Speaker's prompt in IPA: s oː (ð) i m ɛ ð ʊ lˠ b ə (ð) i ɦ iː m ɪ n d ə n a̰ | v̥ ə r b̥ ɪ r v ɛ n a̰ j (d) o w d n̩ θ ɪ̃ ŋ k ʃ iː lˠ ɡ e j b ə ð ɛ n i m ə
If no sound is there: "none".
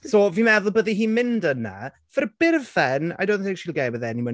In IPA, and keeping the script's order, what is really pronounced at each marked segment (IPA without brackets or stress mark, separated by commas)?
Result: v, ð, d